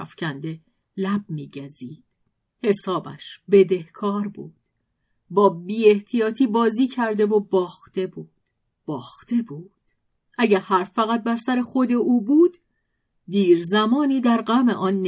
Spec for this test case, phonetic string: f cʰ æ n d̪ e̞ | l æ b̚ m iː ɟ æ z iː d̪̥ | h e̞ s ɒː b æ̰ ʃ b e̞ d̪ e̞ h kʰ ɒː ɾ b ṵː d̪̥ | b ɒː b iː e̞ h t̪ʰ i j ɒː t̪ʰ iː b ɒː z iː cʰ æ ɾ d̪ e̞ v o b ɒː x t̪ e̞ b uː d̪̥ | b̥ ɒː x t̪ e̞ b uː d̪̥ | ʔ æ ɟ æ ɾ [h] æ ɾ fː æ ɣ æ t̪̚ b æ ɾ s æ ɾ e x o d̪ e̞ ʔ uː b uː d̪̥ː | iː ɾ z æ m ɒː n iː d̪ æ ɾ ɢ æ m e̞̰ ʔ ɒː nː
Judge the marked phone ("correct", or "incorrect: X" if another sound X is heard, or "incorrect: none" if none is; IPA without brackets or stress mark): correct